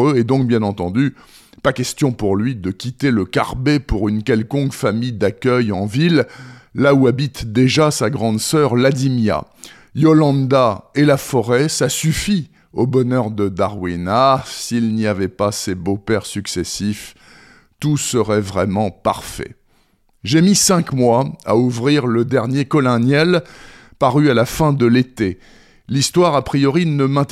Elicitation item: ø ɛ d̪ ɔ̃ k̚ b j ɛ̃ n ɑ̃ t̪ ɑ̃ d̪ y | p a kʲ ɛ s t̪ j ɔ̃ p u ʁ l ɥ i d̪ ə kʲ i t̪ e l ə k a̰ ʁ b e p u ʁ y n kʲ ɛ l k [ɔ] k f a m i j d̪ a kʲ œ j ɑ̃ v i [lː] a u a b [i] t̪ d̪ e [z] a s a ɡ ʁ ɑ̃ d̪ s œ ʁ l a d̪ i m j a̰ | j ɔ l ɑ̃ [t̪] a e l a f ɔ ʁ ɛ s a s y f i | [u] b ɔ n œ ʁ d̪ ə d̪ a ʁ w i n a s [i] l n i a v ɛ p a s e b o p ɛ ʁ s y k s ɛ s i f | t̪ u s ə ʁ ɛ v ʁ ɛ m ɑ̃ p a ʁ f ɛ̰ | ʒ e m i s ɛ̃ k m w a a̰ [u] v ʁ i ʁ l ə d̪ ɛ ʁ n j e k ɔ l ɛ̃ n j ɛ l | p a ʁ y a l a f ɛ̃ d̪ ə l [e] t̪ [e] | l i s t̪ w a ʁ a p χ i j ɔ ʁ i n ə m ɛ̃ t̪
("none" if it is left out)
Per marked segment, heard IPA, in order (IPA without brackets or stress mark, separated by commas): ɔ̃, lː, i, ʒ, d̪, o, i, u, e, e